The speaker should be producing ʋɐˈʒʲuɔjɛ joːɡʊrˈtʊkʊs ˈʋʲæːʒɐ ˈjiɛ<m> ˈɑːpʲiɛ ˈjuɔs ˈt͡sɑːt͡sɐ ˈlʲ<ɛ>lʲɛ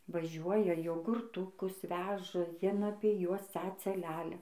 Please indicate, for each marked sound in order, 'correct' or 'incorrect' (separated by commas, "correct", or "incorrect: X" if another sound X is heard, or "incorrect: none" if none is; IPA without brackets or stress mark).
incorrect: n, incorrect: æ